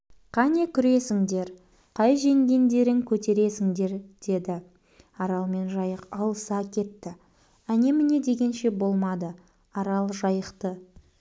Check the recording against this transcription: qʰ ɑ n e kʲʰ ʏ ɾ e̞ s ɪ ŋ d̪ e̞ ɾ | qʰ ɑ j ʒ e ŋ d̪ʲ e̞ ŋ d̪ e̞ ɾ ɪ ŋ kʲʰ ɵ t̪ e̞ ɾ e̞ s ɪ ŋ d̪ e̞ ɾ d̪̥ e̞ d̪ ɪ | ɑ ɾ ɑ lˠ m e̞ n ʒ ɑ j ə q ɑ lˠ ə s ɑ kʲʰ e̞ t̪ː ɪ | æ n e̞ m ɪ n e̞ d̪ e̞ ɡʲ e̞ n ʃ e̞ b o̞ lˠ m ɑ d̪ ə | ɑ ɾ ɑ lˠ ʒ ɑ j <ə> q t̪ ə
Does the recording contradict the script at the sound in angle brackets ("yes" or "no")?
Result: no